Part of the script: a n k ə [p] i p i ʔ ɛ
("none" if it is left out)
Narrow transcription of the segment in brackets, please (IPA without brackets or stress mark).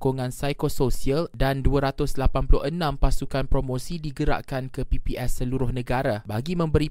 p